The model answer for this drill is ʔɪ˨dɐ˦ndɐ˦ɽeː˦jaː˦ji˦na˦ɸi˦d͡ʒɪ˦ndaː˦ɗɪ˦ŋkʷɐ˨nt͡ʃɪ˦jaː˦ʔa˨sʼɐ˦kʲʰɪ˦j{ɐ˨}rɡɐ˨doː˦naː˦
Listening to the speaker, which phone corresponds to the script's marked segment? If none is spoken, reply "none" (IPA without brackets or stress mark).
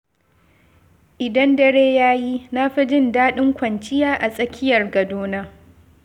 ɐ˨